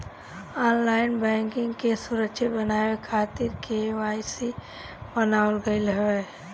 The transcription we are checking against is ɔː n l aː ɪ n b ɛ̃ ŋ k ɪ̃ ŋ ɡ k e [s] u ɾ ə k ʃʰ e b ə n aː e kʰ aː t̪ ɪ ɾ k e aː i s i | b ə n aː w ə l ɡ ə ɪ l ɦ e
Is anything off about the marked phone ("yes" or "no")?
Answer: no